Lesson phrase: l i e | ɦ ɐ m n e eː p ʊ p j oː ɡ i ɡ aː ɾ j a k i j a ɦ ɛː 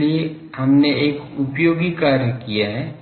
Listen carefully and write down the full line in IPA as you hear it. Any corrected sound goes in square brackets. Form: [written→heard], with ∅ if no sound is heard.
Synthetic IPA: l i e | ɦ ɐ m n e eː [p→k] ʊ p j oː ɡ i [ɡ→k] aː ɾ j [a→ə] k i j a ɦ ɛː